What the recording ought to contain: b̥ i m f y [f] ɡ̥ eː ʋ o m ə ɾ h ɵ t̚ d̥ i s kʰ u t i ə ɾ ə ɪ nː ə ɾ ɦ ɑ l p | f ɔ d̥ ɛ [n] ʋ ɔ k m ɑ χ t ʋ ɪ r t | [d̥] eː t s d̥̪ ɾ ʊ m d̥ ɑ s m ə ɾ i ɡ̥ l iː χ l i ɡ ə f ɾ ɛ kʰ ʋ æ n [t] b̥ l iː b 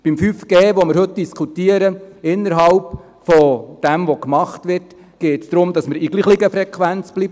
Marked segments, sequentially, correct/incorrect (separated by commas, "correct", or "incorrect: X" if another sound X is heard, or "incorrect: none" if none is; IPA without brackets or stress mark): correct, incorrect: m, incorrect: ɡ̥, incorrect: t͡s